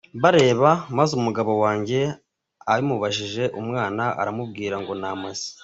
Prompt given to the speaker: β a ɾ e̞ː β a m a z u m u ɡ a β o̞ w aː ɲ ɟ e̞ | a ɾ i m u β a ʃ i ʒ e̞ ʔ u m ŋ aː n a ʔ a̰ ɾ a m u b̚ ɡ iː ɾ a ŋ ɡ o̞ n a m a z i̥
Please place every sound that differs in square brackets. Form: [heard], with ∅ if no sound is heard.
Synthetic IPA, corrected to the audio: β a ɾ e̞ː β a m a z u m u ɡ a β o̞ w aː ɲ ɟ e̞ | a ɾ i m u β a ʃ i ʒ e̞ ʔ u m ŋ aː n a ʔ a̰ ɾ a m u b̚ ɡ iː ɾ a ŋ ɡ o̞ n a m a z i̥